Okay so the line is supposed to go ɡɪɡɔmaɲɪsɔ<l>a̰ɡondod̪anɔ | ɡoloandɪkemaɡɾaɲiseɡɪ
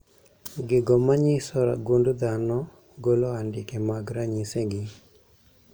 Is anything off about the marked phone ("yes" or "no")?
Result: yes